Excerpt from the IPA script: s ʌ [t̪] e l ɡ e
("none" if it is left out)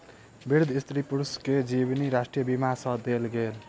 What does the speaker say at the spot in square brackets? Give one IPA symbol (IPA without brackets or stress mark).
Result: d̪